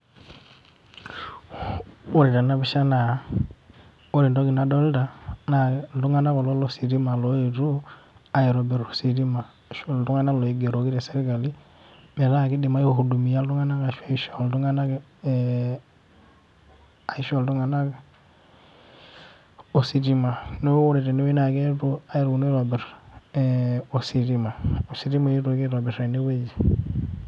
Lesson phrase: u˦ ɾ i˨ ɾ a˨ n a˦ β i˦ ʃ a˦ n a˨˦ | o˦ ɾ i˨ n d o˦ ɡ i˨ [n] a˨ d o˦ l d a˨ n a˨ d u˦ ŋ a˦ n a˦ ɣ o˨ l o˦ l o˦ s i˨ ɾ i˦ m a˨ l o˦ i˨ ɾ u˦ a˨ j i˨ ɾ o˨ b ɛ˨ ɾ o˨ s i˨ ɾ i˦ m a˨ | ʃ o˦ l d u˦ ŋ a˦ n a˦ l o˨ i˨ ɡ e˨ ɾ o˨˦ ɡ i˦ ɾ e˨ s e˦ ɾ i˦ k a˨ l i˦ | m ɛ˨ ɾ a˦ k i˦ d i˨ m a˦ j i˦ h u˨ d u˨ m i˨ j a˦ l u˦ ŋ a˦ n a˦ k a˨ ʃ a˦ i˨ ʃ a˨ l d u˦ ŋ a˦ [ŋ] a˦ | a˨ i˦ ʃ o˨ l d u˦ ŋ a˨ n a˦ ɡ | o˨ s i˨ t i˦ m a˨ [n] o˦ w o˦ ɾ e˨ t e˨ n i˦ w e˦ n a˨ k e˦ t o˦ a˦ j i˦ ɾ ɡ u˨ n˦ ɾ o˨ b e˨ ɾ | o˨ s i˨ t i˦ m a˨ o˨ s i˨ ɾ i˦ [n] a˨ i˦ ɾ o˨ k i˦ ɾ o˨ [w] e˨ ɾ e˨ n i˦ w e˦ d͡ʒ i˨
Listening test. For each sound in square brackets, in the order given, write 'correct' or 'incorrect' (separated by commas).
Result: correct, incorrect, correct, incorrect, incorrect